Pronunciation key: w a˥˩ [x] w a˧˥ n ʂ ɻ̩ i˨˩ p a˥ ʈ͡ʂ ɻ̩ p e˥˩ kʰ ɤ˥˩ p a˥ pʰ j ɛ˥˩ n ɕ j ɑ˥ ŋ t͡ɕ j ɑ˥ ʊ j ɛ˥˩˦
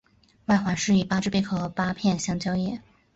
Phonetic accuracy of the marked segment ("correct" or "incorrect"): correct